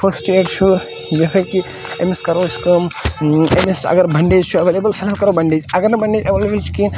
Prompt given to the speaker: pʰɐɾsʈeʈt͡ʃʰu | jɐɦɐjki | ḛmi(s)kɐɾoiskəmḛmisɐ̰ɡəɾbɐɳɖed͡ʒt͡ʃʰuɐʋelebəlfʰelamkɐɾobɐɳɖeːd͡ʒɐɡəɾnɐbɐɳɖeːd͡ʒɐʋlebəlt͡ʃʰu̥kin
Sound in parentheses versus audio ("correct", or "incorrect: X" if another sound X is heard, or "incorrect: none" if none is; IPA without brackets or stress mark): correct